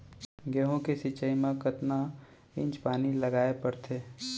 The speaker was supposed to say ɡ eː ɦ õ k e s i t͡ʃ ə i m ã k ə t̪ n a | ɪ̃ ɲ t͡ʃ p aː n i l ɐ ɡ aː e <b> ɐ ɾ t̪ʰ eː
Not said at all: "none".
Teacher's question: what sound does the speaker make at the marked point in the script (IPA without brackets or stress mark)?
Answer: p